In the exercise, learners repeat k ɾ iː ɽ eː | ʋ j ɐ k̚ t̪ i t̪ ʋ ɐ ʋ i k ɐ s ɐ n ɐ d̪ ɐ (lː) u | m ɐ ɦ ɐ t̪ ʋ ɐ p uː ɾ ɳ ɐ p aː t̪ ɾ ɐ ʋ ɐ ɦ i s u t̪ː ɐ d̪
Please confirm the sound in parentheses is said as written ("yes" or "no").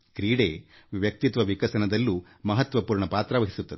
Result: yes